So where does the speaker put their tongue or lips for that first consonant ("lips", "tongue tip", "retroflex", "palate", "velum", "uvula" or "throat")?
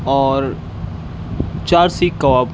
tongue tip